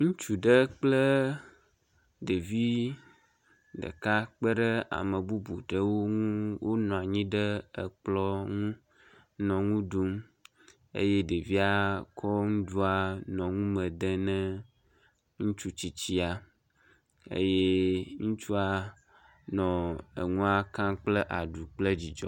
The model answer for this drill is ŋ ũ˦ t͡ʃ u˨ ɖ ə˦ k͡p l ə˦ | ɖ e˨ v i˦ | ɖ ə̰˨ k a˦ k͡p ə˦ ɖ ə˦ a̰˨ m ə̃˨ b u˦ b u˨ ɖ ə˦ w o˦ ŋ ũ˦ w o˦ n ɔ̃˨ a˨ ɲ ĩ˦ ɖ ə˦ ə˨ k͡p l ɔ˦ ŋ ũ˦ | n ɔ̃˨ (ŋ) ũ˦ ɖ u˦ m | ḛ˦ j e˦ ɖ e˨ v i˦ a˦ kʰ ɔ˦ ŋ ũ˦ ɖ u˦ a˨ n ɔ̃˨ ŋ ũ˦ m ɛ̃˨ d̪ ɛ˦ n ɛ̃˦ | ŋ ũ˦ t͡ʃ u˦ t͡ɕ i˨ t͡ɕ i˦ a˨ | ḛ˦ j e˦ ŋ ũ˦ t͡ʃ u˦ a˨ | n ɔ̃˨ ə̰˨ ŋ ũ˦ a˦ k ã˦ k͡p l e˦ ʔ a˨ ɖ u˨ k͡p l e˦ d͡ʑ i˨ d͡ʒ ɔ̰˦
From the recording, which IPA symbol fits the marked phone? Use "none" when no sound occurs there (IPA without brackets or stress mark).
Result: ŋ